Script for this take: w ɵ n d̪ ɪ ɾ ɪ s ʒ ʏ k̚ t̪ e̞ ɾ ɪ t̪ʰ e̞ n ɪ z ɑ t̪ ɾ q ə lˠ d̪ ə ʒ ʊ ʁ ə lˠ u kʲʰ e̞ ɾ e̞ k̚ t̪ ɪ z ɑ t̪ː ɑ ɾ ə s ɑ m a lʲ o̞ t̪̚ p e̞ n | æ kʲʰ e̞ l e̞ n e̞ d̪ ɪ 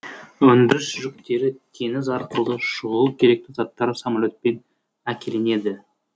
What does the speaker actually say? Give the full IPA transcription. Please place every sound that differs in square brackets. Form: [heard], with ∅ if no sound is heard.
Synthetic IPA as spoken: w ɵ n d̪ ɪ ɾ ɪ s ʒ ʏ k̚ t̪ e̞ ɾ ɪ t̪ʰ e̞ n ɪ z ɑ [∅] ɾ q ə lˠ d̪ ə [ʃ] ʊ ʁ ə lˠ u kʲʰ e̞ ɾ e̞ k̚ t̪ ɪ z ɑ t̪ː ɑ ɾ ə s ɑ m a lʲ o̞ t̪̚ p e̞ n | æ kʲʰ e̞ l e̞ n e̞ d̪ ɪ